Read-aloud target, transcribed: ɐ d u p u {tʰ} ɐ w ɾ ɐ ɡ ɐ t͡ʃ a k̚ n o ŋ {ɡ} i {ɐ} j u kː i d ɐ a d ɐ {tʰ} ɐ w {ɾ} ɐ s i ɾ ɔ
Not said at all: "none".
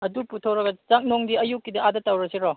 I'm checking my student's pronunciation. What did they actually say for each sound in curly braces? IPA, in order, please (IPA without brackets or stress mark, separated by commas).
tʰ, d, ɐ, t, ɾ